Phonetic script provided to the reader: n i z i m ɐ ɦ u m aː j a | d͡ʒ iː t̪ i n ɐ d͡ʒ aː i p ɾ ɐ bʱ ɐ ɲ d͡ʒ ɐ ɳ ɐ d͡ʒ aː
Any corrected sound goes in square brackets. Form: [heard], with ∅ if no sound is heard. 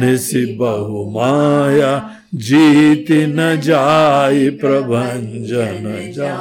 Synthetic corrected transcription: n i [s] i [b] ɐ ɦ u m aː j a | d͡ʒ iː t̪ i n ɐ d͡ʒ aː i p ɾ ɐ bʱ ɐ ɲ d͡ʒ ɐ [n] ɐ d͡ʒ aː